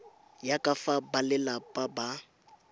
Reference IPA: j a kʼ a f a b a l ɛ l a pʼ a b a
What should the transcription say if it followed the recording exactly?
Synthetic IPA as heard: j a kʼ a f a b a l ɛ l a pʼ a b a